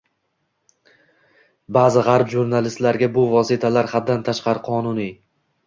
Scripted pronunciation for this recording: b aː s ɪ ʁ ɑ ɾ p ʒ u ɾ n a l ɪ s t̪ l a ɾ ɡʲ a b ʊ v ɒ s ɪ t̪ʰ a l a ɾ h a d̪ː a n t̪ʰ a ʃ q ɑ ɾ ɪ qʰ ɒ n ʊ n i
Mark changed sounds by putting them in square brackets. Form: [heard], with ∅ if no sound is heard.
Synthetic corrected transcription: b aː [z] ɪ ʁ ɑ ɾ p ʒ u ɾ n a l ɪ s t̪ l a ɾ ɡʲ a b ʊ v ɒ s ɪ t̪ʰ a l a ɾ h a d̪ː a n t̪ʰ a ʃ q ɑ ɾ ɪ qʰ ɒ n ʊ n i